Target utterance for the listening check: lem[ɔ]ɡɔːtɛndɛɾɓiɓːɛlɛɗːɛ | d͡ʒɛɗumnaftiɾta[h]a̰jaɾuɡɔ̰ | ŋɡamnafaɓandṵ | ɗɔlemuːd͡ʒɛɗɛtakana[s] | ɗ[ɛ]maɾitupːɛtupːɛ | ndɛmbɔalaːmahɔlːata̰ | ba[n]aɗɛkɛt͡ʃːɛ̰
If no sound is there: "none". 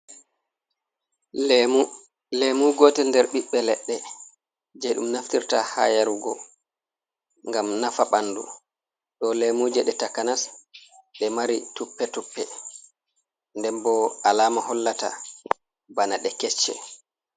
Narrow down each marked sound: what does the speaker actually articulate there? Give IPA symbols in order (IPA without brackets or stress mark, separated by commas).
u, h, s, ɛ, n